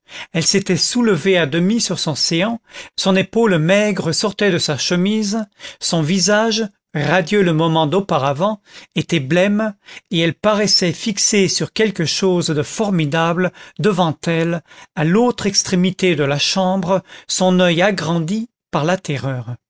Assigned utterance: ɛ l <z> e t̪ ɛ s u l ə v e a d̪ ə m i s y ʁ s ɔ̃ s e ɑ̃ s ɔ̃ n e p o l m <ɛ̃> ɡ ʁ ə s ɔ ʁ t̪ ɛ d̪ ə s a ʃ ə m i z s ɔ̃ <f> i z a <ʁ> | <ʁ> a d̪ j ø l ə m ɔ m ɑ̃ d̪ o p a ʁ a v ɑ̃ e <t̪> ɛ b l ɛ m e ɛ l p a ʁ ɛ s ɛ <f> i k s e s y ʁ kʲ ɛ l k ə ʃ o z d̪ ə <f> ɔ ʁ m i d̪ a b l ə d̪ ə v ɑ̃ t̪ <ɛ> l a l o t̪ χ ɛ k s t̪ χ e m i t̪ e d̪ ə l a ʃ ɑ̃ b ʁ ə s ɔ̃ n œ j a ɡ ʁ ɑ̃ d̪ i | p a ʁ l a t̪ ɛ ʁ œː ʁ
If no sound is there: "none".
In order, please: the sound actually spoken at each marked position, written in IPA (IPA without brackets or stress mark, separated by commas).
s, ɛ, v, ʒ, ʁ, t̪, f, f, ɛ